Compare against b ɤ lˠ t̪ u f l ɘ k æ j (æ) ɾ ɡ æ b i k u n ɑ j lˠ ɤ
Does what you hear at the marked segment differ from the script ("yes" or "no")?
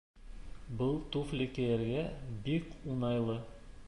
no